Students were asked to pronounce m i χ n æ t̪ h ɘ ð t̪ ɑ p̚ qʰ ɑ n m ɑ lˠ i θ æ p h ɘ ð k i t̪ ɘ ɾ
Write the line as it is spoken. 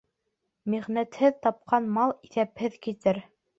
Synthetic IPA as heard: m i ʁ n æ t̪ h ɘ ð t̪ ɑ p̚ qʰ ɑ n m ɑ lˠ i θ æ p h ɘ ð k i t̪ ɘ ɾ